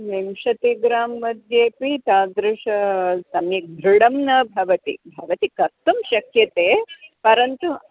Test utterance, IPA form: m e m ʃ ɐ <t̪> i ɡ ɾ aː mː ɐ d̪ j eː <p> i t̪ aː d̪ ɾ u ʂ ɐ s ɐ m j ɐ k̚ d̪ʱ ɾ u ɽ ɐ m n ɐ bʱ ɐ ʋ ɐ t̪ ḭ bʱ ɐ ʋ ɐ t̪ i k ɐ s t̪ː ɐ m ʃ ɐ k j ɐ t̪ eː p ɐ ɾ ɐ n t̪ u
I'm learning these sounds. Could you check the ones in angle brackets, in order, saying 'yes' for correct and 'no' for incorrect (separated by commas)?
yes, yes